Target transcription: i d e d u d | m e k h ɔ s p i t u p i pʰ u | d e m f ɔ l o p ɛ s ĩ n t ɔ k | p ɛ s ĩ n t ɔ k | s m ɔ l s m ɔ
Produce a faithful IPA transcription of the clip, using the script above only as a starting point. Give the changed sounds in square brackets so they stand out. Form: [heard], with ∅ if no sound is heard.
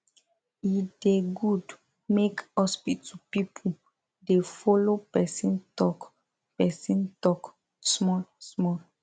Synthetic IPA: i d e [ɡ] u d | m e k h ɔ s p i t u p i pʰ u | d e [∅] f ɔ l o p ɛ s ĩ n t ɔ k | p ɛ s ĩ n t ɔ k | s m ɔ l s m ɔ